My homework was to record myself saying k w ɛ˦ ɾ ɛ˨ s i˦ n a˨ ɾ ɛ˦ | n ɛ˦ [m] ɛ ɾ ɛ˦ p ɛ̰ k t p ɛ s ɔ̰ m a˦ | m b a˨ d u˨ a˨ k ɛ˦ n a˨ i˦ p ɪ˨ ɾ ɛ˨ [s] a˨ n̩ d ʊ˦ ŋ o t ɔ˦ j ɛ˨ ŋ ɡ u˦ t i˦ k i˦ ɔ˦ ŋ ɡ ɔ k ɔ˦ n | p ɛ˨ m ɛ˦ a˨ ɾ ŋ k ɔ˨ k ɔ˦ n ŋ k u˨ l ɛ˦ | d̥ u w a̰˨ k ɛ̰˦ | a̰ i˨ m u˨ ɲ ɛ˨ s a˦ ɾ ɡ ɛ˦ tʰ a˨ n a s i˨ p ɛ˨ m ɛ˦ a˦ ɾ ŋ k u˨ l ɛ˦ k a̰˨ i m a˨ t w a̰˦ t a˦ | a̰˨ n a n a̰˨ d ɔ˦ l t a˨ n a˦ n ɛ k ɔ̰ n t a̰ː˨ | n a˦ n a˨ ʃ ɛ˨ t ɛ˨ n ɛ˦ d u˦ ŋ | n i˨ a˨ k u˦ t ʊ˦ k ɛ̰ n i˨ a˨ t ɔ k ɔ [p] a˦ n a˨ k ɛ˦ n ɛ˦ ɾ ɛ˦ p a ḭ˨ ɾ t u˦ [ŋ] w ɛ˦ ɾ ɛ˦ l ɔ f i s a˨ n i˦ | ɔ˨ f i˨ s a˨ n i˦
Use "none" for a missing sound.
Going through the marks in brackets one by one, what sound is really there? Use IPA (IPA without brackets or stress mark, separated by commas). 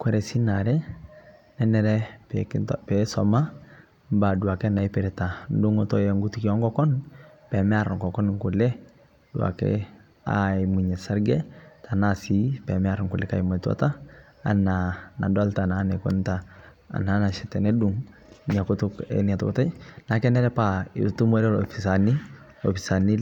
n, t, t, m